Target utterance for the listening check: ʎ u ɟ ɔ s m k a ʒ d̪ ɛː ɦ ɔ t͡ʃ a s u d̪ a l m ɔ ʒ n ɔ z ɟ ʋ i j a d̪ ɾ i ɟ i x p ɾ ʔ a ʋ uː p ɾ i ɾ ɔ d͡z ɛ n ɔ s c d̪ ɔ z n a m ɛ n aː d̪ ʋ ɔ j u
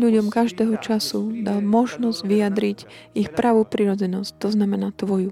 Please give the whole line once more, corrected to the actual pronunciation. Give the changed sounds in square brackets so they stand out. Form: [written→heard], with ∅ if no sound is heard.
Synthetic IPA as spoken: ʎ u ɟ ɔ [s→∅] m k a ʒ d̪ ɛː ɦ ɔ t͡ʃ a s u d̪ a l m ɔ ʒ n ɔ z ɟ ʋ i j a d̪ ɾ i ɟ i x p ɾ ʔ a ʋ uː p ɾ i ɾ ɔ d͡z ɛ n ɔ s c [d̪→t̪] ɔ z n a m ɛ n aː [d̪→t̪] ʋ ɔ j u